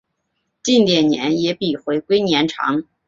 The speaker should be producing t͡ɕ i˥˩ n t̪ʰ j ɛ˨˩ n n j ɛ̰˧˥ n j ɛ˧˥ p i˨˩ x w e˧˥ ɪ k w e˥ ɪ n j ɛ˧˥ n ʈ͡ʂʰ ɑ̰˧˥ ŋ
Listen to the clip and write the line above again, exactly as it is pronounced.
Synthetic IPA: t͡ɕ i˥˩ n t̪ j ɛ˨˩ n n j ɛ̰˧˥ n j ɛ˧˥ p i˨˩ x w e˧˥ ɪ k w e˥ ɪ n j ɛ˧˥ n ʈ͡ʂʰ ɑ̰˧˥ ŋ